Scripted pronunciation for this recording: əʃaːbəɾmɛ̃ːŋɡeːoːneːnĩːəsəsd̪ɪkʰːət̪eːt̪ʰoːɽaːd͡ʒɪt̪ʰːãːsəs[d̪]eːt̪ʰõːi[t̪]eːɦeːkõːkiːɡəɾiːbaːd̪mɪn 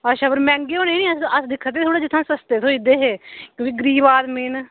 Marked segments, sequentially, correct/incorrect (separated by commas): incorrect, incorrect